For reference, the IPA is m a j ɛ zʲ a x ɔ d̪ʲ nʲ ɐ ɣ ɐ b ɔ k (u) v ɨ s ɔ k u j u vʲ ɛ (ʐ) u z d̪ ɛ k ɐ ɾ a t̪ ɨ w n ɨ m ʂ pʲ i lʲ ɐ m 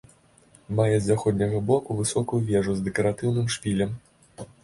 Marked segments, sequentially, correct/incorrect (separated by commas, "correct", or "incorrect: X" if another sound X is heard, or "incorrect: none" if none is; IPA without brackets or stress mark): correct, correct